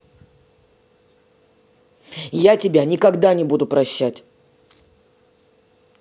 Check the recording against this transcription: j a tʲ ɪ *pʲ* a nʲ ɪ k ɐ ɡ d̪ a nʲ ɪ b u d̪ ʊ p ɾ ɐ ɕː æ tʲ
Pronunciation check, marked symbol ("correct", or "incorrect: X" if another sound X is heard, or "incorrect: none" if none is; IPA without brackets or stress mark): incorrect: bʲ